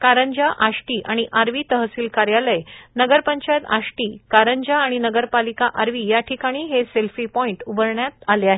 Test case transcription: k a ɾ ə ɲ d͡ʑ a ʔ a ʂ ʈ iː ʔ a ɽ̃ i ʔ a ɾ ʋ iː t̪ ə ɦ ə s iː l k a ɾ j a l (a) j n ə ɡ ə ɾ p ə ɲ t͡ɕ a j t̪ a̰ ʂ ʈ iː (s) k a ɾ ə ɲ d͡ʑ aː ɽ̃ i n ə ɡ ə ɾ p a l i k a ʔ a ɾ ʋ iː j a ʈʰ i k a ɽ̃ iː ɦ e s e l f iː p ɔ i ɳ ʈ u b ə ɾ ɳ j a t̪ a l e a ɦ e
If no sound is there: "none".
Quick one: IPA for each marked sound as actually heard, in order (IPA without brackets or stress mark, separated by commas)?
ə, none